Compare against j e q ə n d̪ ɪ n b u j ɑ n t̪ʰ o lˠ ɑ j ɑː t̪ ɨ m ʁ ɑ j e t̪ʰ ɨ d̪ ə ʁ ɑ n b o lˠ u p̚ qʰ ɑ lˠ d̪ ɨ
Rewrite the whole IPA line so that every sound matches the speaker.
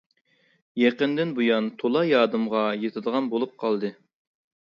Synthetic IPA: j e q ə n d̪ ɪ n b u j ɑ n t̪ʰ o lˠ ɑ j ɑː d̪ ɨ m ʁ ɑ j e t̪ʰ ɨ d̪ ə ʁ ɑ n b o lˠ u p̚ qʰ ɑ lˠ d̪ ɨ